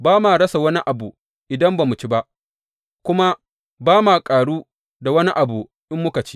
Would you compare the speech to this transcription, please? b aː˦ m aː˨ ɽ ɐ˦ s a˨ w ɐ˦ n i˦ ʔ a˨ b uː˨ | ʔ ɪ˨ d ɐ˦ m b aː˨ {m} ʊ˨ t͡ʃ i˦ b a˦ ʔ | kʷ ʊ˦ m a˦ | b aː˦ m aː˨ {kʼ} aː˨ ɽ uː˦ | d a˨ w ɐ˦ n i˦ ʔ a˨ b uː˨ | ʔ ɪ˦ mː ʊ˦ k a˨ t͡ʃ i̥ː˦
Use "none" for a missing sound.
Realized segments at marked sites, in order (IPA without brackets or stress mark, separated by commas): m, kʼ